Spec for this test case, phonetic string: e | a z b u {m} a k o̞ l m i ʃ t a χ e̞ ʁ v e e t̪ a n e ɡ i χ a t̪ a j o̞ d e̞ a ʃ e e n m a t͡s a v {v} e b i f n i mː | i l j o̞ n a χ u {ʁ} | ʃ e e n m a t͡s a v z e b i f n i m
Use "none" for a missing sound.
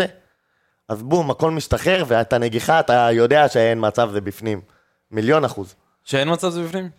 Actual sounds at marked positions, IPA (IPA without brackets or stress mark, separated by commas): m, z, z